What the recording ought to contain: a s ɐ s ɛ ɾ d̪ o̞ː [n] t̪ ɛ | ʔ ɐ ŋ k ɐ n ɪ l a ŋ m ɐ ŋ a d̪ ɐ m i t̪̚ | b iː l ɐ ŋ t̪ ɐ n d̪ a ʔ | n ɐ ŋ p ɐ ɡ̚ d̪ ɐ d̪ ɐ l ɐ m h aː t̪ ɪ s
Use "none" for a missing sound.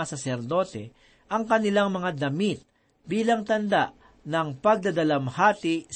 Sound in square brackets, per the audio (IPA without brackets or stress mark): none